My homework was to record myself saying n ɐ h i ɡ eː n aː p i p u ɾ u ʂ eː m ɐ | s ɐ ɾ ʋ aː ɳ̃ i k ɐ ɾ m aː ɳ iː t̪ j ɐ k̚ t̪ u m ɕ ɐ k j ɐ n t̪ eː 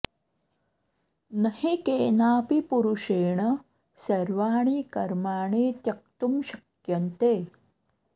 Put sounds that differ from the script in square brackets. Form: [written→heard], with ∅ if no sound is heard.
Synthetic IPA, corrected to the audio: n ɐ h i [ɡ→k] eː n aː p i p u ɾ u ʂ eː [m→ɳ] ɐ | s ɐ ɾ ʋ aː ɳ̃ i k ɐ ɾ m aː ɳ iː t̪ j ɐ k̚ t̪ u m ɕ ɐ k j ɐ n t̪ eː